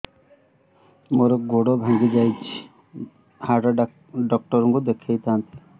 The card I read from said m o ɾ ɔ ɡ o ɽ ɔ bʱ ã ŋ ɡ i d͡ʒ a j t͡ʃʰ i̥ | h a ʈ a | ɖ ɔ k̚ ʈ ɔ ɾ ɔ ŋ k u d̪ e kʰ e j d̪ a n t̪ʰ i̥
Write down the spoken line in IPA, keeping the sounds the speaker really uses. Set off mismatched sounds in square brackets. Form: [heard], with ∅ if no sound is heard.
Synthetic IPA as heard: m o ɾ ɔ ɡ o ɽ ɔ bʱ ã ŋ ɡ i d͡ʒ a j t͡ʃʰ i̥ | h a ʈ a | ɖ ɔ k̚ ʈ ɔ ɾ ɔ ŋ k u d̪ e kʰ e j [t̪] a n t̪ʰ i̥